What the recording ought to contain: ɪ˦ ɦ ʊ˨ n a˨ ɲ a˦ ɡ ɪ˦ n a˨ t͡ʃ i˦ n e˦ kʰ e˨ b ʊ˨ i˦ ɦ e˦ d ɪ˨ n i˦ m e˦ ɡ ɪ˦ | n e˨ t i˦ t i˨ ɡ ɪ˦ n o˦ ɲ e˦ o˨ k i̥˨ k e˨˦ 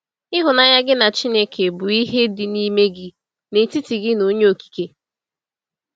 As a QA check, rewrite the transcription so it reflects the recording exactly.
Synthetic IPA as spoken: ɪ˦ ɦ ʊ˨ n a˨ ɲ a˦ ɡ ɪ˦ n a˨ t͡ʃ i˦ n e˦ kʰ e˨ b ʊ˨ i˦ ɦ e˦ d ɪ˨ n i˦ m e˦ ɡ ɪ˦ | n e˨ t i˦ t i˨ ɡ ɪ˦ n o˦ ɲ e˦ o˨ k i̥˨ k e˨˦